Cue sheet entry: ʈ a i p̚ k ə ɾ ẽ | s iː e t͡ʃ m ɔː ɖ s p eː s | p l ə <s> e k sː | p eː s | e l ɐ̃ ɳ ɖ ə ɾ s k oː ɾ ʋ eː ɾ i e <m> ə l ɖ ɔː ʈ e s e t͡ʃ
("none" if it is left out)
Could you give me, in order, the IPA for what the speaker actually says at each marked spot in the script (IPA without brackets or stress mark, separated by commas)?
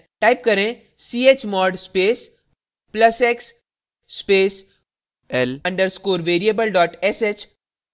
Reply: s, b